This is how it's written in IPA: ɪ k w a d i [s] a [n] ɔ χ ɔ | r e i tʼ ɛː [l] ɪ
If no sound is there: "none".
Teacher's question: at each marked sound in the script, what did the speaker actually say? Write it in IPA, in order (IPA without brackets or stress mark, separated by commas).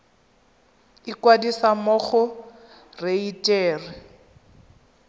s, m, r